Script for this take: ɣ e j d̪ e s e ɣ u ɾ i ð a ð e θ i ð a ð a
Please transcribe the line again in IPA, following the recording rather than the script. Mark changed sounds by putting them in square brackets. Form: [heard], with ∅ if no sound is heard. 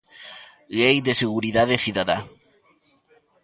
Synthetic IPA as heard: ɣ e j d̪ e s e ɣ u ɾ i ð a ð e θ i ð a ð a